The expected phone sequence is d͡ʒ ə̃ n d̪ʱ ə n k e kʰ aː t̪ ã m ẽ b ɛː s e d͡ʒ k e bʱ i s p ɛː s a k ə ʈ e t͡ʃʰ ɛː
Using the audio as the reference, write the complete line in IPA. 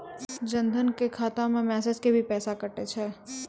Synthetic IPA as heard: d͡ʒ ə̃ n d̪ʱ ə n k e kʰ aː t̪ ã m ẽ m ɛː s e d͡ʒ k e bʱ i p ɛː s a k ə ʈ e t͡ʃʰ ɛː